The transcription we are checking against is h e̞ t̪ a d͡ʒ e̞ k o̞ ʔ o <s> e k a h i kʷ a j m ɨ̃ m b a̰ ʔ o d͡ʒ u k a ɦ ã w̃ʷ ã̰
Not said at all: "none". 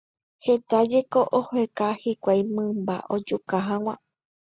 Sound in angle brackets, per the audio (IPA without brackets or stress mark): h